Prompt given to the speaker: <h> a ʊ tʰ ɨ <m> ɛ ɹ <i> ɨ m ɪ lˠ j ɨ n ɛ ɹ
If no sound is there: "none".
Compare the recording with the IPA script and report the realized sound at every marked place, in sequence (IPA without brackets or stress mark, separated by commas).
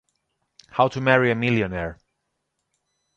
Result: h, m, i